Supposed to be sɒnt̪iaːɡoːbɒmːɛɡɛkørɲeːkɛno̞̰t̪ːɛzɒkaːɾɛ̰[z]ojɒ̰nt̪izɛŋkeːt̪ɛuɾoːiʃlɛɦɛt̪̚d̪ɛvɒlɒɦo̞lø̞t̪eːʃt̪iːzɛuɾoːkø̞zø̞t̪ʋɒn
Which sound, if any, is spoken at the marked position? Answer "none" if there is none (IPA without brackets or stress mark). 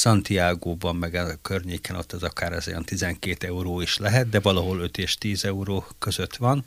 z